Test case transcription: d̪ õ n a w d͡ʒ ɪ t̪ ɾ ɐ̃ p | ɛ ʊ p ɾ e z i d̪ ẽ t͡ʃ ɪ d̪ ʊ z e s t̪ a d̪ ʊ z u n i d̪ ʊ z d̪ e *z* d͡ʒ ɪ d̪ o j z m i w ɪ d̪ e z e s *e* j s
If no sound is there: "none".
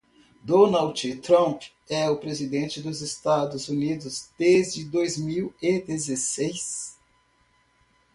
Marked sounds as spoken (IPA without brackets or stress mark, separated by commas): z, e